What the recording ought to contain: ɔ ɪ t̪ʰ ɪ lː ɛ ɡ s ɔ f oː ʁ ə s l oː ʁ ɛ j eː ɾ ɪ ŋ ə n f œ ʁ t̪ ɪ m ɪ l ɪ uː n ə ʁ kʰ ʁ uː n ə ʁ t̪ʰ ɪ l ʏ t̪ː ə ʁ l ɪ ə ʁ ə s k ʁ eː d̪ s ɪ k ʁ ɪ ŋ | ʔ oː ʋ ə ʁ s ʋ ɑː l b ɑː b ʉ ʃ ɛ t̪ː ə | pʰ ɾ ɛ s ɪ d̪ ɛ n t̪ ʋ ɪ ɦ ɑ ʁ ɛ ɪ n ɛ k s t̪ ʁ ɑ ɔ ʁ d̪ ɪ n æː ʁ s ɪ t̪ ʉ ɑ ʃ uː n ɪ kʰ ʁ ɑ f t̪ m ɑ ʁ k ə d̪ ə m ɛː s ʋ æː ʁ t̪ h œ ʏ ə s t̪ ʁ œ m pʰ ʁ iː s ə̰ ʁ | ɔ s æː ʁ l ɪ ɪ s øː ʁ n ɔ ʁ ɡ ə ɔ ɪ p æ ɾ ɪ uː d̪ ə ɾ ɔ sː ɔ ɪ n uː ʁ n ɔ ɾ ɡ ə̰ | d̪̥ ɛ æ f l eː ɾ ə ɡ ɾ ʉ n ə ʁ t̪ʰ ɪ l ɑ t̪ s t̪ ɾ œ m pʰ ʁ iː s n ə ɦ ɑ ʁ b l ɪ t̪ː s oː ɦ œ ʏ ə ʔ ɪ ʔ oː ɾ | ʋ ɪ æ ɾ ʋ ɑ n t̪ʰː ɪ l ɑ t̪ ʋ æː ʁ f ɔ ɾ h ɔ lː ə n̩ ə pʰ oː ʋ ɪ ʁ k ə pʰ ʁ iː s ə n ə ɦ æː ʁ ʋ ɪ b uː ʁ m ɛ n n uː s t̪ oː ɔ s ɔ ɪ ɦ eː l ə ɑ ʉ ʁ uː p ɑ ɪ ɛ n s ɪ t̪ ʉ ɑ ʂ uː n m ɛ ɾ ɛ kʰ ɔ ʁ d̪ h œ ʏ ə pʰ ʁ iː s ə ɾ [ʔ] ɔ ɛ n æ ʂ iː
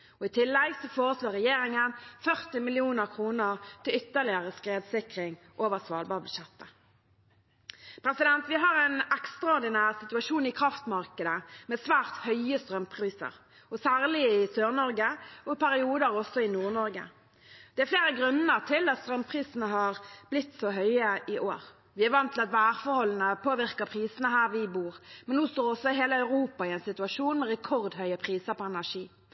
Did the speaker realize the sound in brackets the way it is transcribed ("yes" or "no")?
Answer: no